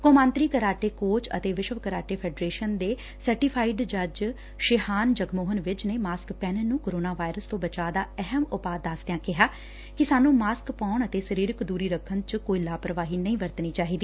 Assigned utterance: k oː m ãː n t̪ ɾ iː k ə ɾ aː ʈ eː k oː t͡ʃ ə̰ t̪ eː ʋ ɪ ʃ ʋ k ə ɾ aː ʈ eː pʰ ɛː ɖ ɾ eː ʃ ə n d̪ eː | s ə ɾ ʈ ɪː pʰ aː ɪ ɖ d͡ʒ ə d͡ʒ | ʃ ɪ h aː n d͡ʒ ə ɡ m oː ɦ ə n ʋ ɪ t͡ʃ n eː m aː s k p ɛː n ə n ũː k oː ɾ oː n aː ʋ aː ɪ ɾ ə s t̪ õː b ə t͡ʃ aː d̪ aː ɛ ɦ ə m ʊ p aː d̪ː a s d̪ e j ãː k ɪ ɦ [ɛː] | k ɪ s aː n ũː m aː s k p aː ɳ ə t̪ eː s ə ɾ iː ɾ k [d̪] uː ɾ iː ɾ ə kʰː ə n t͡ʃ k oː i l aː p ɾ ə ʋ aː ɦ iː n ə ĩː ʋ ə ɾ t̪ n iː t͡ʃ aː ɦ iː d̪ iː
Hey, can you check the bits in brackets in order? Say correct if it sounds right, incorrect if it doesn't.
incorrect: aː, correct

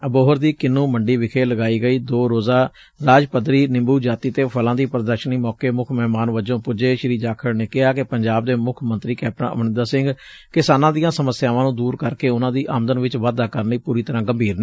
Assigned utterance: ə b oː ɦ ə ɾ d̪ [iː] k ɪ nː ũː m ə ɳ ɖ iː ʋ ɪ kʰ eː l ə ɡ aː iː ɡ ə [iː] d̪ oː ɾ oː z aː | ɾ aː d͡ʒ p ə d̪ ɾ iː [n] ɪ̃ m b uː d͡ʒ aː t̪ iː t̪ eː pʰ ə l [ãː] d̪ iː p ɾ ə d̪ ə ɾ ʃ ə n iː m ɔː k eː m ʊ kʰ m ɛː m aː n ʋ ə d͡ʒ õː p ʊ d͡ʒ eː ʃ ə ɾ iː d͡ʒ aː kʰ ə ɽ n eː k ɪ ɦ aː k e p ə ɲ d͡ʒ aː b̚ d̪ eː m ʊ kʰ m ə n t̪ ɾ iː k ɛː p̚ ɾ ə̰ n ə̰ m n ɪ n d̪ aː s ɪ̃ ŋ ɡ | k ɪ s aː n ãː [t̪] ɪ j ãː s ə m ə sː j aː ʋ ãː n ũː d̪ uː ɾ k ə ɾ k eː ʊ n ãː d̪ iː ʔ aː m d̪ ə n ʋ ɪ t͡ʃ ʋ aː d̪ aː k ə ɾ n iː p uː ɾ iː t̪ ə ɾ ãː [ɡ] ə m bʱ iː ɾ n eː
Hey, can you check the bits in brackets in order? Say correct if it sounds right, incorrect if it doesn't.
correct, correct, correct, correct, incorrect: d̪, correct

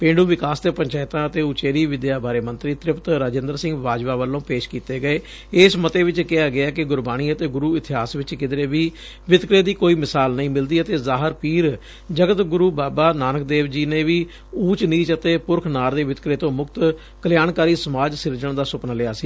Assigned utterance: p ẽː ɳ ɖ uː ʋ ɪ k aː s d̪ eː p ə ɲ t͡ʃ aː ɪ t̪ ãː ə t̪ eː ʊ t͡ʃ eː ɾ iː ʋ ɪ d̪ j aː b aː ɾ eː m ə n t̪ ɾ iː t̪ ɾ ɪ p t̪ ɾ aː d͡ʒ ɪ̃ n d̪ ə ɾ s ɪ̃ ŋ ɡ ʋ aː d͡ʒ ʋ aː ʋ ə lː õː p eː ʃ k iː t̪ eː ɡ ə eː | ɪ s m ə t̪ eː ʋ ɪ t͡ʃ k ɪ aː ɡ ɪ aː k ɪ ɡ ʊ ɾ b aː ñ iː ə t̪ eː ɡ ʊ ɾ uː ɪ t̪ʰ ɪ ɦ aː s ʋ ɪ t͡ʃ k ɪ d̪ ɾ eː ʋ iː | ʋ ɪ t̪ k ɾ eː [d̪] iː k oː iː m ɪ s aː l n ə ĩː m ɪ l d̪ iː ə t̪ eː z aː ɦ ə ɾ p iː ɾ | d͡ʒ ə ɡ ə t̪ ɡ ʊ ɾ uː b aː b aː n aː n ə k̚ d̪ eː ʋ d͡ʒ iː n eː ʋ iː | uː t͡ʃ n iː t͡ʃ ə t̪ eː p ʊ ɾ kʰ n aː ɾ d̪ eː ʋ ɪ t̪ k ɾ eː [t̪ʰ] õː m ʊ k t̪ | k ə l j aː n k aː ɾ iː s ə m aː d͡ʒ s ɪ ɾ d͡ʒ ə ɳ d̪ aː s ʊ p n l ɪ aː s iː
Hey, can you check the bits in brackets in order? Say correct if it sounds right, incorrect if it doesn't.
correct, incorrect: t̪

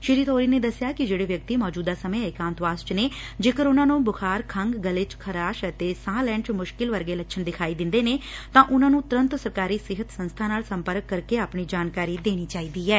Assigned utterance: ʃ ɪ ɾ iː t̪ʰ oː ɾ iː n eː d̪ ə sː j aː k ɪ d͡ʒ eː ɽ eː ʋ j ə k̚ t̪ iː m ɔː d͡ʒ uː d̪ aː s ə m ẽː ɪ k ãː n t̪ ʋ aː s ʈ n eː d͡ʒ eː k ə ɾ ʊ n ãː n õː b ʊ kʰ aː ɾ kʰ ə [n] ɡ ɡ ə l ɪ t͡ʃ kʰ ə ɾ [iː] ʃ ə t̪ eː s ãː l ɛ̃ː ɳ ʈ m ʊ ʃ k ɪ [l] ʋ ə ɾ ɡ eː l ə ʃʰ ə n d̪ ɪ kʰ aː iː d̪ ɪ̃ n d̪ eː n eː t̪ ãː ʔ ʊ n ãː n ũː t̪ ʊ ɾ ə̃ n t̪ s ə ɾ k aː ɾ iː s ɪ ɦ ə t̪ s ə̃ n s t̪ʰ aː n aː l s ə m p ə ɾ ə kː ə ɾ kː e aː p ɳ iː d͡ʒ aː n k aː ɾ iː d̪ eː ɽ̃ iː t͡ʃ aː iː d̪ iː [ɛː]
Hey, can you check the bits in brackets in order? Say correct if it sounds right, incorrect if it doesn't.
incorrect: ŋ, incorrect: aː, correct, correct

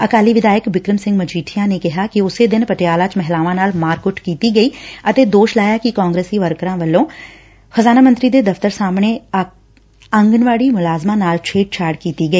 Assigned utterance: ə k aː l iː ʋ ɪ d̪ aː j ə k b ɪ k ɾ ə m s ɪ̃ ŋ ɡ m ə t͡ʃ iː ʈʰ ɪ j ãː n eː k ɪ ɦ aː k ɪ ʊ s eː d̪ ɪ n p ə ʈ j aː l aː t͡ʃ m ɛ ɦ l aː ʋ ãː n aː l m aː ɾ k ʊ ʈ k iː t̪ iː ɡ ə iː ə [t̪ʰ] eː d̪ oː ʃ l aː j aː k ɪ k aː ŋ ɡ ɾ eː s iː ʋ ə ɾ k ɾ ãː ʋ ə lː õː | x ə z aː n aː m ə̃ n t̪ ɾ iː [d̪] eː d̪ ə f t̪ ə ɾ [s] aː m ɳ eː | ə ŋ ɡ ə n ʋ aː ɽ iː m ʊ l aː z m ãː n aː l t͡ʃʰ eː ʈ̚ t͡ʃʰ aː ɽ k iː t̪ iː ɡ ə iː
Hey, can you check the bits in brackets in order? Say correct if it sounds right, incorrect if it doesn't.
incorrect: t̪, correct, correct

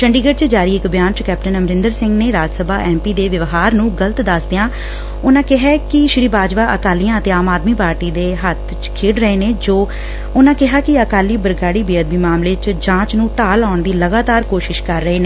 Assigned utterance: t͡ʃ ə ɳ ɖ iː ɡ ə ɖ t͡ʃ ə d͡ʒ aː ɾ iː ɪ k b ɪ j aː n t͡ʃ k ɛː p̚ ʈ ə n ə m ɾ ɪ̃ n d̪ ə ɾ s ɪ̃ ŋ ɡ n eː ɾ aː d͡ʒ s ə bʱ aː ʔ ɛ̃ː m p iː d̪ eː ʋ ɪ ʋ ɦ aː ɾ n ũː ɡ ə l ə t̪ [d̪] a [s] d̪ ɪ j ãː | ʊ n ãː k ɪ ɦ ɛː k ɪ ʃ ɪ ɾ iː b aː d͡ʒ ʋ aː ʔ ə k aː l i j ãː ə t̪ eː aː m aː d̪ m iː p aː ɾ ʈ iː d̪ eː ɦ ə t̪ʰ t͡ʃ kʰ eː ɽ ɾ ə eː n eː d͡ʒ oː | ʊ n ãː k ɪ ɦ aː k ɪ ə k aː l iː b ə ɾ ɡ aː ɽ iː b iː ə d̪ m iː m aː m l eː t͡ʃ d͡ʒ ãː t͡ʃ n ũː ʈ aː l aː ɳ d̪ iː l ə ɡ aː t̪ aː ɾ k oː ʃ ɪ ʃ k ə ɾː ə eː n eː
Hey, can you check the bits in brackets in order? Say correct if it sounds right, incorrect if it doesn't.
correct, correct

